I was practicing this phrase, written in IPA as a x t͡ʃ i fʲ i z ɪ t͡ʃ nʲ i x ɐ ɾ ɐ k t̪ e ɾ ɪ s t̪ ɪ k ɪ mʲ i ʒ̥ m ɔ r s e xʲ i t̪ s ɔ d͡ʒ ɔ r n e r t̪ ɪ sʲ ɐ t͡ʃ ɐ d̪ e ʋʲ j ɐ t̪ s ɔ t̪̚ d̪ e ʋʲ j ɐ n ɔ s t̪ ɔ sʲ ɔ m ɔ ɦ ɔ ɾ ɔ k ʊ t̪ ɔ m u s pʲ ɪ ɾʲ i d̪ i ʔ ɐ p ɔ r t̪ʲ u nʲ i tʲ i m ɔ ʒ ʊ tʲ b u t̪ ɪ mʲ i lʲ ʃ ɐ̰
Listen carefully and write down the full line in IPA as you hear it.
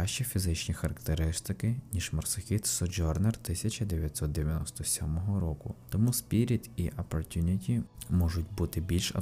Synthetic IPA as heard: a ʃ t͡ʃ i fʲ i z ɪ t͡ʃ nʲ i x ɐ ɾ ɐ k t̪ e ɾ ɪ s t̪ ɪ k ɪ nʲ i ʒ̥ m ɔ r s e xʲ i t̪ s ɔ d͡ʒ ɔ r n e r t̪ ɪ sʲ ɐ t͡ʃ ɐ d̪ e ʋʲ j ɐ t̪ s ɔ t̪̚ d̪ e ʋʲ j ɐ n ɔ s t̪ ɔ sʲ ɔ m ɔ ɦ ɔ ɾ ɔ k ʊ t̪ ɔ m u s pʲ i ɾʲ i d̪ i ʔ ɐ p ɔ r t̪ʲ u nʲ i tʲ i m ɔ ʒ ʊ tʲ b u t̪ ɪ bʲ i lʲ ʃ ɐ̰